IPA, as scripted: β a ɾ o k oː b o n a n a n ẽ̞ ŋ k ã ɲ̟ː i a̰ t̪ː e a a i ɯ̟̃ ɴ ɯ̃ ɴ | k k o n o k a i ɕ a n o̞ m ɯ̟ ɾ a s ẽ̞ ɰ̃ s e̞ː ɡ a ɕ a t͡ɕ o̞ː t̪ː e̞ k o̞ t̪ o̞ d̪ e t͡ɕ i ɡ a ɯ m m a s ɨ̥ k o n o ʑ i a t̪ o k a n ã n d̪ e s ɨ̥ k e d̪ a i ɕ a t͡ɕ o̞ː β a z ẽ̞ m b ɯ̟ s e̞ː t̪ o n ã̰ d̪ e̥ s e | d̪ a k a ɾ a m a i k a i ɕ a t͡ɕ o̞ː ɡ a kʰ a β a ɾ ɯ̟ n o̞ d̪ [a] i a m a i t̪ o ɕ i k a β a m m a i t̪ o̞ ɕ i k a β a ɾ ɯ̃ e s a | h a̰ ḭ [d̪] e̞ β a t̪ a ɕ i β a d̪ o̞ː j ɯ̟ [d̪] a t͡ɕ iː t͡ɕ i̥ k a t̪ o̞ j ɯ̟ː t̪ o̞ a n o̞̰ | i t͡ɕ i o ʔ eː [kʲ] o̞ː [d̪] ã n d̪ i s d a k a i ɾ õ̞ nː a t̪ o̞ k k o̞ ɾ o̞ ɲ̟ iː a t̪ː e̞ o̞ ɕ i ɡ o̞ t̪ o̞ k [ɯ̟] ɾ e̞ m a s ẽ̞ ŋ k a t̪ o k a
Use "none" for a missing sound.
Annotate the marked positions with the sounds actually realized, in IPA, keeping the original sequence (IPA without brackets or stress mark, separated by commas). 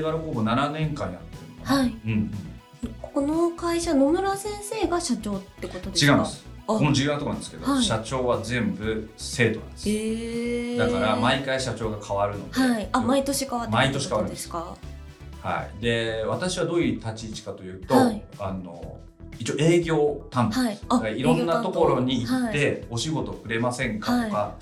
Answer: e, d̪, t̪, ɡʲ, t̪, ɯ̟